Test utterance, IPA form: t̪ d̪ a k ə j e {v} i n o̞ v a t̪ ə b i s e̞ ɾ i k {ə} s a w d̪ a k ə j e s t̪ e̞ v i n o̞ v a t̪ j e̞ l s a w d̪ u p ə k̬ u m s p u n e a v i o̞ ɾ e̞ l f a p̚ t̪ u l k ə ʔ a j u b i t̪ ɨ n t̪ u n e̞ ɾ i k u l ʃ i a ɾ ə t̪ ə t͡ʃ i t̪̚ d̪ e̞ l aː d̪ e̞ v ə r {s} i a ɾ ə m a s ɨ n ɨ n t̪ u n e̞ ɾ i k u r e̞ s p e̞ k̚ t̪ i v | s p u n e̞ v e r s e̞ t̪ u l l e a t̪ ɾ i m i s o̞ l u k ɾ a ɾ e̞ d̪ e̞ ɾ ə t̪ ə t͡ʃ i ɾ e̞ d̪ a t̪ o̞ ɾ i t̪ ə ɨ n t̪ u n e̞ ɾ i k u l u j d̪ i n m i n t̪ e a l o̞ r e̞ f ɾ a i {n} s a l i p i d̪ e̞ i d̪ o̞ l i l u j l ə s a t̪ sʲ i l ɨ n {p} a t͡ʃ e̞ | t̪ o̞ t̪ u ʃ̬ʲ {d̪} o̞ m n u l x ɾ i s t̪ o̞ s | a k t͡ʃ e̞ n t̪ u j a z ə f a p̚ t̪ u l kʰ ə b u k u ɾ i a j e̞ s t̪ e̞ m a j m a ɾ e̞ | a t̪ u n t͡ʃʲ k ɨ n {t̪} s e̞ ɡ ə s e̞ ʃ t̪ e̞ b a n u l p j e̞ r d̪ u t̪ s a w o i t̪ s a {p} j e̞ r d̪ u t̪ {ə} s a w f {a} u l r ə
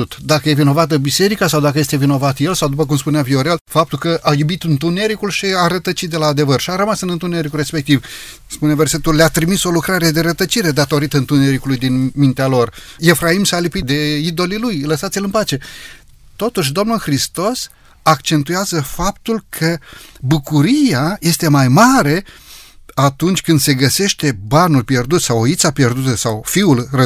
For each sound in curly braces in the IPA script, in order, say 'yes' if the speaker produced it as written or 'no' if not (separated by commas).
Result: yes, no, no, no, yes, yes, no, yes, yes, no